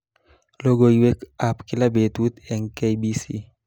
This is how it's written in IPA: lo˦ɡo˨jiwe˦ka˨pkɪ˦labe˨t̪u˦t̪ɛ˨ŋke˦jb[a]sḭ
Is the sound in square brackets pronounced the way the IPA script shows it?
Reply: no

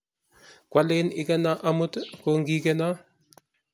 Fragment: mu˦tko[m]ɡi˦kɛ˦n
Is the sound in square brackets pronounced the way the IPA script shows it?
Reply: no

